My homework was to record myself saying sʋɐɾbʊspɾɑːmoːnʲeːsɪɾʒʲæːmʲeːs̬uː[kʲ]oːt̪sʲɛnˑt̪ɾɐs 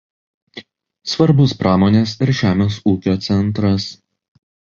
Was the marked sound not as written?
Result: no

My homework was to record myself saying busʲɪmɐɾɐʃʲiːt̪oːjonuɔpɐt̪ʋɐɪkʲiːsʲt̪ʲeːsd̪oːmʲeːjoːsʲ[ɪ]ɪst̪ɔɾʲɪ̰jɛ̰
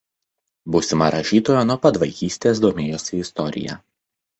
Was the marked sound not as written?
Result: no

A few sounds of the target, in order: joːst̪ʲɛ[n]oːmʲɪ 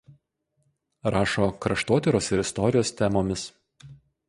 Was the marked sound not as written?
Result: yes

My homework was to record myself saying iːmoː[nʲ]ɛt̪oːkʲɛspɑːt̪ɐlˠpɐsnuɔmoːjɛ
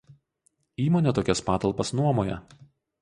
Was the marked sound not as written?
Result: no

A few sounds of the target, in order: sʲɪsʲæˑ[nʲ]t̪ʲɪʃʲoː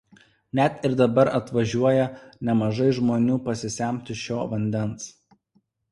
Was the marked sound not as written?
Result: yes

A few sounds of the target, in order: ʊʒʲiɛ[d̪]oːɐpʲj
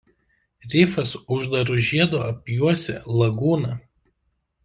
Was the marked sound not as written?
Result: no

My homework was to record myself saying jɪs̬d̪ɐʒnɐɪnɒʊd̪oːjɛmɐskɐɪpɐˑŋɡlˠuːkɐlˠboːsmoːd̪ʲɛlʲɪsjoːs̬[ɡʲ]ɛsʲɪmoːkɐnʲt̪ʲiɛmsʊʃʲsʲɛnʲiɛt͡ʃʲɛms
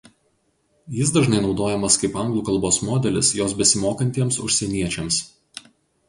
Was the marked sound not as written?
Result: yes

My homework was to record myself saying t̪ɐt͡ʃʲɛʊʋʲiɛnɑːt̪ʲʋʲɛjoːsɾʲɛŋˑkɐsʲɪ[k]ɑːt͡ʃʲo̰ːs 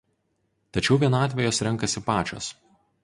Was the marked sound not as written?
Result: yes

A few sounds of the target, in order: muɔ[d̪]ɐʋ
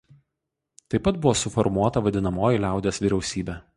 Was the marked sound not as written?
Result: yes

